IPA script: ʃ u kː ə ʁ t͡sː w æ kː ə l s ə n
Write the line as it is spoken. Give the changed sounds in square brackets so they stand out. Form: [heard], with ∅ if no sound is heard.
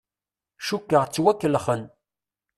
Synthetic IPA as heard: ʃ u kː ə ʁ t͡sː w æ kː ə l [χ] ə n